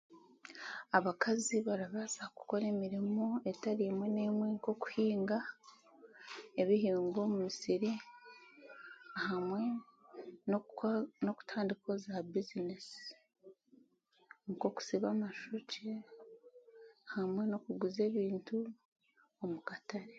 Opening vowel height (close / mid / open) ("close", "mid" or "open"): open